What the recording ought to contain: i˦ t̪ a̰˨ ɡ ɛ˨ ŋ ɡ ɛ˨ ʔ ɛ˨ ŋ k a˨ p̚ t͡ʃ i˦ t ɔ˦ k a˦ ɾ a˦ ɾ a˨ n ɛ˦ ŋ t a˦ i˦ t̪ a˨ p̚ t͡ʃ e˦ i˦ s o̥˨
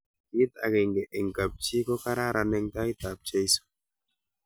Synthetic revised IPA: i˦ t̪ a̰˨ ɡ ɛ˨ ŋ ɡ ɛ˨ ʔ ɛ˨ ŋ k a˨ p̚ t͡ʃ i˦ k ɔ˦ k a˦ ɾ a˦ ɾ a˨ n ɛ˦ ŋ t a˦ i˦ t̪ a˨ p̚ t͡ʃ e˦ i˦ s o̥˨